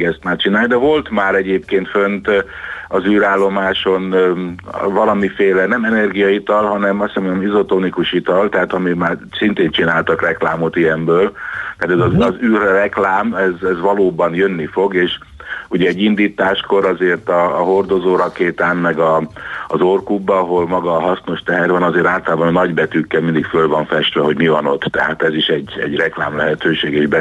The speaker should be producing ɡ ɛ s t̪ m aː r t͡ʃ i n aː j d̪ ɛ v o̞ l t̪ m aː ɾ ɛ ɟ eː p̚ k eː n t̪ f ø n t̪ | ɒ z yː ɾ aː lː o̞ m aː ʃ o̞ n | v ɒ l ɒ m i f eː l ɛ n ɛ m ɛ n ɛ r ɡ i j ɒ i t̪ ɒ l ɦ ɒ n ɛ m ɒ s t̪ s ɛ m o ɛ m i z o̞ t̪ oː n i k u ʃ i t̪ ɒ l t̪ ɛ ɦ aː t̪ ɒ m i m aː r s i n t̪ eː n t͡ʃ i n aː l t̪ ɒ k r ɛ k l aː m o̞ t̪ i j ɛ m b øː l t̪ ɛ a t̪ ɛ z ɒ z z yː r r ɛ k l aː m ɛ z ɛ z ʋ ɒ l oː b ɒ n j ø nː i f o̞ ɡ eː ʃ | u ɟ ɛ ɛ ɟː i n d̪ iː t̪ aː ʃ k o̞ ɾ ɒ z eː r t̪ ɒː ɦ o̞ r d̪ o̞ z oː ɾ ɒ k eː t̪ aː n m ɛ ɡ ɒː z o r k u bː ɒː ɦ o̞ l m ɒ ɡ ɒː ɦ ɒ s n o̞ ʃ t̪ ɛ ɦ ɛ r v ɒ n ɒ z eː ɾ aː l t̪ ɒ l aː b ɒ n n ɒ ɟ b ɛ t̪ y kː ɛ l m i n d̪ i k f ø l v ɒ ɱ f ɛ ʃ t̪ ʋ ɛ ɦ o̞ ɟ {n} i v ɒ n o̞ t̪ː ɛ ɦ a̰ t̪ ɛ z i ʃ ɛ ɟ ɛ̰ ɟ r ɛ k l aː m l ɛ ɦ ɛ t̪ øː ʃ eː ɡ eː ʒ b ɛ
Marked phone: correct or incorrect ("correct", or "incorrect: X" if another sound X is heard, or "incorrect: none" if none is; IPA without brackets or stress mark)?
incorrect: m